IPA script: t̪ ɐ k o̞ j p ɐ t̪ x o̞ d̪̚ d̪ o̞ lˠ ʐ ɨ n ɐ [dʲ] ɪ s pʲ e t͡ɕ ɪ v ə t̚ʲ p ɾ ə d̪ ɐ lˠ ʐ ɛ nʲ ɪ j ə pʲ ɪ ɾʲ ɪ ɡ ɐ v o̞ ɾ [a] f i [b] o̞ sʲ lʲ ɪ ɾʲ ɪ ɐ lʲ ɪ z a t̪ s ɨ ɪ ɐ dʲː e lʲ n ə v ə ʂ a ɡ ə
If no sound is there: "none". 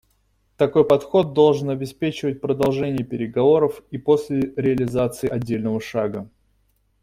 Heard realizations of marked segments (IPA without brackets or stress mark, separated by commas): bʲ, ə, p